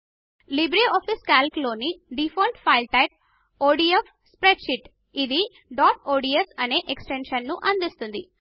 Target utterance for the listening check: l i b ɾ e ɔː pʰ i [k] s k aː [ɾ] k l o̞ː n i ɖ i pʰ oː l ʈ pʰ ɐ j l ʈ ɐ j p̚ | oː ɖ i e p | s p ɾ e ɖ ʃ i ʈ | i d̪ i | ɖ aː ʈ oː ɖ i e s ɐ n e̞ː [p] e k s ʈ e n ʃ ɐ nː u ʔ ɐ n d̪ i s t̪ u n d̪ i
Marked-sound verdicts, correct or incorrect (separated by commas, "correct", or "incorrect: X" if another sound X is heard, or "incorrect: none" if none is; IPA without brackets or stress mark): incorrect: none, incorrect: l, incorrect: ʔ